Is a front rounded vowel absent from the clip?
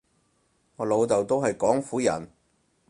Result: yes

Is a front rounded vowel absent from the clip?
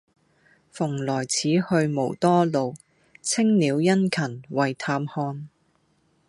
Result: yes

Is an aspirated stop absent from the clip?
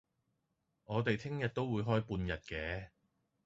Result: no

